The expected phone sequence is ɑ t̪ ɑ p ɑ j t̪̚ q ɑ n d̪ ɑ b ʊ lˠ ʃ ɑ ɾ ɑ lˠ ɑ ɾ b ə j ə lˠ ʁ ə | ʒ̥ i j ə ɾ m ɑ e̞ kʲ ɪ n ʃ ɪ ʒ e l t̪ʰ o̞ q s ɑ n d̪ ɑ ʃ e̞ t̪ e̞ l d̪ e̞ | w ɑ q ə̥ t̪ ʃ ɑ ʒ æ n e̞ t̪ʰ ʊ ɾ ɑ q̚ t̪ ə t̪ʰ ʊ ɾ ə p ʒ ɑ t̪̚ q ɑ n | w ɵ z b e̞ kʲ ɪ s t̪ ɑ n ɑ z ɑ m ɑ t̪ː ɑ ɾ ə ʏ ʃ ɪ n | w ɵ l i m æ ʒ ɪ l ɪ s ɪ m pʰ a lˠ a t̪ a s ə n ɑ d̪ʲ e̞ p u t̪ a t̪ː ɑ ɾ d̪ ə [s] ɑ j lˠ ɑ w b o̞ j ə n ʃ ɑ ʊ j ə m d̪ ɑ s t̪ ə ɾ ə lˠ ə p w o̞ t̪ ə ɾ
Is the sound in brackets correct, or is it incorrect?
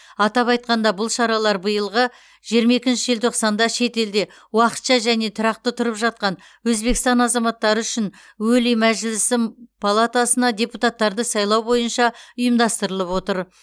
correct